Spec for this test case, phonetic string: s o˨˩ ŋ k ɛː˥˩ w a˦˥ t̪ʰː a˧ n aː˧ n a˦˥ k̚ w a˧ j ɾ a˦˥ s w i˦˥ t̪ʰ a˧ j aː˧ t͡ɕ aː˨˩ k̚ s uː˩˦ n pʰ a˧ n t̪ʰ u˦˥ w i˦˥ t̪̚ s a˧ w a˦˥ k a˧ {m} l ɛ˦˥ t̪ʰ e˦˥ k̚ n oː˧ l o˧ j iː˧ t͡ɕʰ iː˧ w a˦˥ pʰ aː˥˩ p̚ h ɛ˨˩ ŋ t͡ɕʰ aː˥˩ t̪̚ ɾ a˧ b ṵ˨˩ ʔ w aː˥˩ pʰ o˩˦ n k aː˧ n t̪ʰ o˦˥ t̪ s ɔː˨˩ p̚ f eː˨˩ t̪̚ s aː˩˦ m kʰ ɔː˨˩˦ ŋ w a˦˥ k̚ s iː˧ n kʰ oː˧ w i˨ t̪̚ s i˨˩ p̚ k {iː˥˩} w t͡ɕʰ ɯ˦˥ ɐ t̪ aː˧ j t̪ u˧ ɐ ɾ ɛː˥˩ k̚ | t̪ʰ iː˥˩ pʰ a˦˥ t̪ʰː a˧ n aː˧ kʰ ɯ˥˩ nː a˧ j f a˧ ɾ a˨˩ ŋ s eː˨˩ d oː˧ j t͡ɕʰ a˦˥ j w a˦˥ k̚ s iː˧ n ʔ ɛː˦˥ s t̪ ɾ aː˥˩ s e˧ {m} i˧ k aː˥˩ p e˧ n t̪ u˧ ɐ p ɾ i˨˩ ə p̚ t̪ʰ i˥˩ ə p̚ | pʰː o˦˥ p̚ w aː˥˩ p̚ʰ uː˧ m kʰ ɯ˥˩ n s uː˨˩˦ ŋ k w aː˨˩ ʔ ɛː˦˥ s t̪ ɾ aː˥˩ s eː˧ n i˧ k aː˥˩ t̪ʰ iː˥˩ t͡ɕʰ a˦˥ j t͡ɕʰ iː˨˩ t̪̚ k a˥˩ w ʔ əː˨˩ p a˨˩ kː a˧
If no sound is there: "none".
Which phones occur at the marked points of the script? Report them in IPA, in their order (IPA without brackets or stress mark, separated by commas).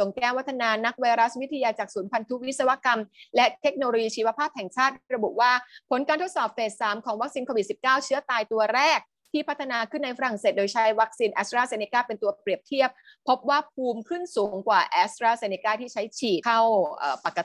m, aː˥˩, n